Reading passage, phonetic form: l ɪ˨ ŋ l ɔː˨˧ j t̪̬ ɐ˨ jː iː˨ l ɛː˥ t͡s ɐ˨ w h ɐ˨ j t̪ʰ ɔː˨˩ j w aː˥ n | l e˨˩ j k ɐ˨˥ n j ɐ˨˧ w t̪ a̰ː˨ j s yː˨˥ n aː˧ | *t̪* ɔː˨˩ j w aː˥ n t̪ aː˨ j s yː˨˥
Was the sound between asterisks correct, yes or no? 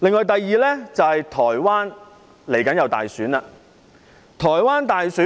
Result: no